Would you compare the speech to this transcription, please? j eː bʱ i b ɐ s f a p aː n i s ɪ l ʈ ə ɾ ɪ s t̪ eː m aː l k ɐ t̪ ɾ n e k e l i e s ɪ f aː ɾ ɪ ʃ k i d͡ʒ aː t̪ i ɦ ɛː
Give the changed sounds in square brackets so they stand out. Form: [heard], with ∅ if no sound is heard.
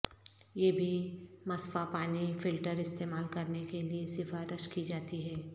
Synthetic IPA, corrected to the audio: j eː bʱ i [m] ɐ s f a p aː n i [f] ɪ l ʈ ə ɾ ɪ s t̪ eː m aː l k ɐ [∅] ɾ n e k e l i e s ɪ f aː ɾ ɪ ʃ k i d͡ʒ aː t̪ i ɦ ɛː